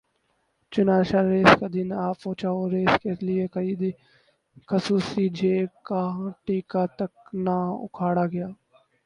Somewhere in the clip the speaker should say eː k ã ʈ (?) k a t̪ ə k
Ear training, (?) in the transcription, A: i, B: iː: B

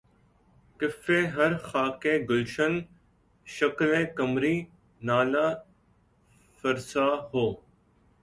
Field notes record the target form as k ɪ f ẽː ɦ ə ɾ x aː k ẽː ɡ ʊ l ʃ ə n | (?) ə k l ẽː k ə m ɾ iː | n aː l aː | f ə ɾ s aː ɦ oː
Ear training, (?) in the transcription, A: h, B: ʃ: B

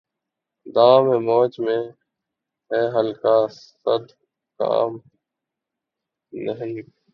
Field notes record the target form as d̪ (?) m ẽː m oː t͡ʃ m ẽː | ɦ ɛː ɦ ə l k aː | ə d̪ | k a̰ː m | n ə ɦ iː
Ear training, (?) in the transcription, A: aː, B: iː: A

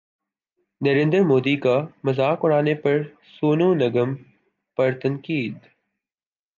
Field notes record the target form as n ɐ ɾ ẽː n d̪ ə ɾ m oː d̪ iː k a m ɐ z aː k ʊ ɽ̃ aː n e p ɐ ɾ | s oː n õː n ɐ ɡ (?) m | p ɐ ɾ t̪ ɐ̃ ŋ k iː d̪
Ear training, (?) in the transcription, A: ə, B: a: A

